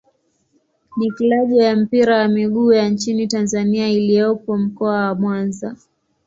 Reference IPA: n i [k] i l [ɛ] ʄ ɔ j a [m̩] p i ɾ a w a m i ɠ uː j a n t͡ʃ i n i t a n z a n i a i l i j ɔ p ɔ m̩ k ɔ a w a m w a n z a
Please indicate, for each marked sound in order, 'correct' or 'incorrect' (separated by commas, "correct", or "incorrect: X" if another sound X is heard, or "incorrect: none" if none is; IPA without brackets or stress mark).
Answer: correct, incorrect: a, correct